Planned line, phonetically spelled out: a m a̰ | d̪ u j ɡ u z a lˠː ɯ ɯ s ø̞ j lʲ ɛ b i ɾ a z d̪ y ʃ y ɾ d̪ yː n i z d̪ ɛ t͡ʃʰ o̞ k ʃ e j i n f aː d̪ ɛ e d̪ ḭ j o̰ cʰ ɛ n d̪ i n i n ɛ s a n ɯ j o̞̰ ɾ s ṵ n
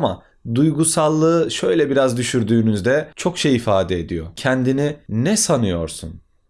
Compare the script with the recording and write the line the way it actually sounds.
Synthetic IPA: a m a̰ | d̪ u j ɡ u s a lˠː ɯ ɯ ʃ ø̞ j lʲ ɛ b i ɾ a z d̪ y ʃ y ɾ d̪ yː n y z d̪ ɛ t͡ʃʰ o̞ k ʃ e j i f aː d̪ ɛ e d̪ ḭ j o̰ cʰ ɛ n d̪ i n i n ɛ s a n ɯ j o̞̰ ɾ s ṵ n